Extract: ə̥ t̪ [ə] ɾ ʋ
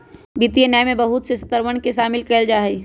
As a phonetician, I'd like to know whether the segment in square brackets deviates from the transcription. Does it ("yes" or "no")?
no